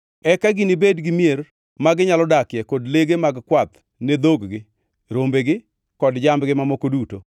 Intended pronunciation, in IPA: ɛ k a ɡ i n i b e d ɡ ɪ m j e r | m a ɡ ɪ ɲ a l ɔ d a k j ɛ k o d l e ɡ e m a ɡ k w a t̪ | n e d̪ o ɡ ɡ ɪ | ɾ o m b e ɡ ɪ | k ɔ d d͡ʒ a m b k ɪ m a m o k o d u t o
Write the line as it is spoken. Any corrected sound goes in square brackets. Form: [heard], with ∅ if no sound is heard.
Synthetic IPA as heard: ɛ k a ɡ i n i b e d ɡ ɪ m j e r | m a ɡ ɪ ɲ a l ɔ d a k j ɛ k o d l e ɡ e m a ɡ k w a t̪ | n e d̪ o ɡ ɡ ɪ | ɾ o m b e ɡ ɪ | k ɔ d d͡ʒ a m b [ɡ] ɪ m a m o k o d u t o